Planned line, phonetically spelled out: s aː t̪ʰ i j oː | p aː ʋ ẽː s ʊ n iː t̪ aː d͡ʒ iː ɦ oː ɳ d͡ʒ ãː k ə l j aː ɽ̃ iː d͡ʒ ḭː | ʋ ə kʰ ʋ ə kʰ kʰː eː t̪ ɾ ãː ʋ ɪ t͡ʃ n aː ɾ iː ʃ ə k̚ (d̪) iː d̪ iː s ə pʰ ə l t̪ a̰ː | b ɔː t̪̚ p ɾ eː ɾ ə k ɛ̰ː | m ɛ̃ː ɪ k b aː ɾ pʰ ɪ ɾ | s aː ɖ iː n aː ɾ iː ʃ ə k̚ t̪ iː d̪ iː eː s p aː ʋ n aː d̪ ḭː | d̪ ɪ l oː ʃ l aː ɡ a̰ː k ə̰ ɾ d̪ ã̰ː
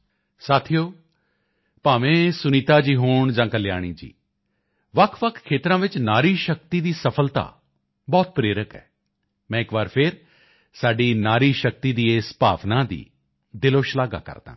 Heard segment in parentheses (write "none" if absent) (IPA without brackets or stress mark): t̪